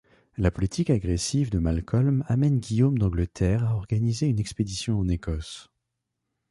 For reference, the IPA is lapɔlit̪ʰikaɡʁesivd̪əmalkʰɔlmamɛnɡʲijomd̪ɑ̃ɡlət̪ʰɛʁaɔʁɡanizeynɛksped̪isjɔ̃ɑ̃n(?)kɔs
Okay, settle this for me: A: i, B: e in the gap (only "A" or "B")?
B